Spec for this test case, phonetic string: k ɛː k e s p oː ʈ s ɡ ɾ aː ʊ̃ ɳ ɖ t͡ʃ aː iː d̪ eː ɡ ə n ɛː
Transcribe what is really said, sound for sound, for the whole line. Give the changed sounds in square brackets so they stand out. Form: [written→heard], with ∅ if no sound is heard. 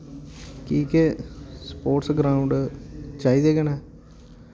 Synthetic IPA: k [ɛː→iː] k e s p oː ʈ s ɡ ɾ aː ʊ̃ ɳ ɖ t͡ʃ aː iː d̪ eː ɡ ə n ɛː